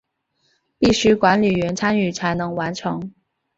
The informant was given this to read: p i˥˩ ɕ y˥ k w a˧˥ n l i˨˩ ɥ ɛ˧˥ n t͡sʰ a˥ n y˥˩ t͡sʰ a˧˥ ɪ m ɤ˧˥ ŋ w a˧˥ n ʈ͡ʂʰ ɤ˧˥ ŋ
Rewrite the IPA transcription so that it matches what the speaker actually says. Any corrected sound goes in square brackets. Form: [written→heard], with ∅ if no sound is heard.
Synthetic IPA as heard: p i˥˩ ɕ y˥ k w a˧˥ n l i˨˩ ɥ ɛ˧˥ n t͡sʰ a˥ n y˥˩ t͡sʰ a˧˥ ɪ [m→n] ɤ˧˥ ŋ w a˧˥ n ʈ͡ʂʰ ɤ˧˥ ŋ